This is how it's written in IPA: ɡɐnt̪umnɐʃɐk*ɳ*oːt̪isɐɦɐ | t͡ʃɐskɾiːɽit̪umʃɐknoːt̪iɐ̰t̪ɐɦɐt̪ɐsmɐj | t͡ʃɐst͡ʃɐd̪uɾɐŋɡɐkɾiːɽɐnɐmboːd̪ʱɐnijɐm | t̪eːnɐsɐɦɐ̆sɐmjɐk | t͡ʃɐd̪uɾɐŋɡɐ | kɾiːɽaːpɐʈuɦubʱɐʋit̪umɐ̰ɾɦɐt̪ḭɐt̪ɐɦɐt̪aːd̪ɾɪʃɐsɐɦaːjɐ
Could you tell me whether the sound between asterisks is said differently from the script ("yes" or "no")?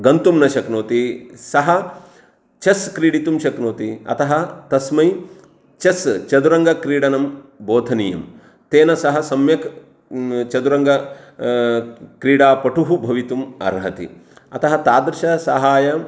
yes